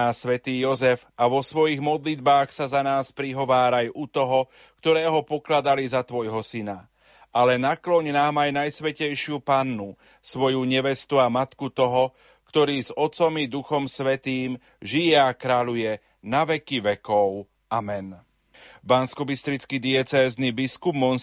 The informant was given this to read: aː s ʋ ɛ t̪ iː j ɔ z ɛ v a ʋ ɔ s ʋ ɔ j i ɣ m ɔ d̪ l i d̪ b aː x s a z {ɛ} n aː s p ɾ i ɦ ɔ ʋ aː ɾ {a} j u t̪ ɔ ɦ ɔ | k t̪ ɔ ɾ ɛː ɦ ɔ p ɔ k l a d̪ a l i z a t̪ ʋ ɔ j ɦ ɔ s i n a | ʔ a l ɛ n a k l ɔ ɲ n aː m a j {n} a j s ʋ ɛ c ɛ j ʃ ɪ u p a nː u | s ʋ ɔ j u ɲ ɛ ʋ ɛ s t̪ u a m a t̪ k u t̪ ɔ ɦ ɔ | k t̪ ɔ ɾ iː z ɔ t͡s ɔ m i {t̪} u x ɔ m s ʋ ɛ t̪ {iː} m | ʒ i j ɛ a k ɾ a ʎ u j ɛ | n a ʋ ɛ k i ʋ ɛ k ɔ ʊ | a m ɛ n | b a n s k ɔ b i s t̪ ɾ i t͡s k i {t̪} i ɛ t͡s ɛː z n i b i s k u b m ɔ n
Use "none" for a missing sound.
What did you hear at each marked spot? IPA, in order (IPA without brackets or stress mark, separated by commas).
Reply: a, a, n, d̪, iː, d̪